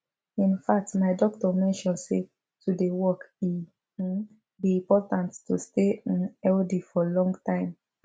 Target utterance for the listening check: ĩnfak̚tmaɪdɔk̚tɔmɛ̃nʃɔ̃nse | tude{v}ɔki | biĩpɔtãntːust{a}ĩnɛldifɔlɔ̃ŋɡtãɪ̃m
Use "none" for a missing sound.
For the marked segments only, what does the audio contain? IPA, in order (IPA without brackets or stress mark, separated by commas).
w, e